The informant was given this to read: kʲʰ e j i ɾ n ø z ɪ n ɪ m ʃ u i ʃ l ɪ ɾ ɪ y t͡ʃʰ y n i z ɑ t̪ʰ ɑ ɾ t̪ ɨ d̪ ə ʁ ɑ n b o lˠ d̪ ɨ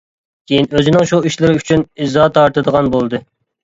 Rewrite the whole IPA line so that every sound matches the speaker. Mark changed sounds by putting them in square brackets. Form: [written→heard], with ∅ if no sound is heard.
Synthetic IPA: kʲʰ e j i [ɾ→∅] n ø z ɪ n ɪ [m→ŋ] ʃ u i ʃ l ɪ ɾ ɪ y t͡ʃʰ y n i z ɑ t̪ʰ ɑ ɾ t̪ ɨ d̪ ə ʁ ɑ n b o lˠ d̪ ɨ